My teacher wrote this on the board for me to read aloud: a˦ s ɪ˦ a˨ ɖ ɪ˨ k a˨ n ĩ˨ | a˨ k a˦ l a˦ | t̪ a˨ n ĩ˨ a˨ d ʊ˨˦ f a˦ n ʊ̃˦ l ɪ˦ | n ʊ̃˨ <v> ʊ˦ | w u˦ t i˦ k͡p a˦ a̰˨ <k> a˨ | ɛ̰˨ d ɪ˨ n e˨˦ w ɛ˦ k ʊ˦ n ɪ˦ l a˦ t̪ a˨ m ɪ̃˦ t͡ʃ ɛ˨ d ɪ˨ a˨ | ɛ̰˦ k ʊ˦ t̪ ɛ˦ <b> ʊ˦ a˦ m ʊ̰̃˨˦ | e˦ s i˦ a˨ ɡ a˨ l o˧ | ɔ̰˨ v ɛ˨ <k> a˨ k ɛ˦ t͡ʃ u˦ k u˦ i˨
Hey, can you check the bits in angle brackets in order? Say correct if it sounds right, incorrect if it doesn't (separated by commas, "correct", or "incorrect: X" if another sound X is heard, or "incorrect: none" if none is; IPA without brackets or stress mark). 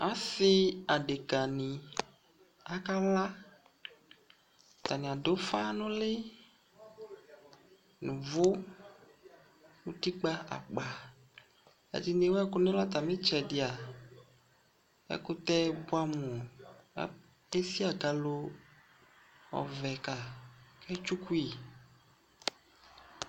correct, incorrect: k͡p, correct, correct